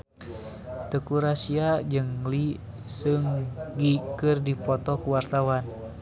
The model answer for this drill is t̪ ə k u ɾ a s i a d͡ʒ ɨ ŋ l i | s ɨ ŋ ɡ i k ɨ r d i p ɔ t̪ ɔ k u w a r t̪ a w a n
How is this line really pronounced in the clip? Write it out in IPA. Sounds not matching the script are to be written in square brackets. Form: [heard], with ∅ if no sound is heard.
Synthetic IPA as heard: t̪ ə k u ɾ a s i a d͡ʒ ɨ ŋ l i | s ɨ ŋ ɡ i k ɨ r d i p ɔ t̪ ɔ k u w a r t̪ a w a n